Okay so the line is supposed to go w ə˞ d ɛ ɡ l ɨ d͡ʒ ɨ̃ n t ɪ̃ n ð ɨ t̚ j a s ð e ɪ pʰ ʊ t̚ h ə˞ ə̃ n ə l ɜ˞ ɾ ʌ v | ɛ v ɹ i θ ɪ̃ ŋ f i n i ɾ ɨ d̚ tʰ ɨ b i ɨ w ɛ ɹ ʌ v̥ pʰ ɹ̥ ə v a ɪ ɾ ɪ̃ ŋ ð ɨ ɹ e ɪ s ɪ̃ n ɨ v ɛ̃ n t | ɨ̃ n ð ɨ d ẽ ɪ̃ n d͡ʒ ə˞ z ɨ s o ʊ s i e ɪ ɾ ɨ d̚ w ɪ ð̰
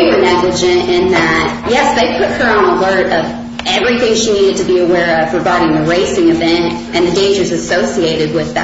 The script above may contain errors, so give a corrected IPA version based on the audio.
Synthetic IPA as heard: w ə˞ n ɛ ɡ l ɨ d͡ʒ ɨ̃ n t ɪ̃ n ð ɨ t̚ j ɛ s ð e ɪ pʰ ʊ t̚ h ə˞ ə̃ n ə l ɜ˞ ɾ ʌ v | ɛ v ɹ i θ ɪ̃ ŋ ʃ i n i ɾ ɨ d̚ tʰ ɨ b i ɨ w ɛ ɹ ʌ v̥ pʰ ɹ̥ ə v a ɪ ɾ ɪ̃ ŋ ð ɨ ɹ e ɪ s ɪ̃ ŋ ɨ v ɛ̃ n t | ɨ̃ n ð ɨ d ẽ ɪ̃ n d͡ʒ ə˞ z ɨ s o ʊ s i e ɪ ɾ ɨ d̚ w ɪ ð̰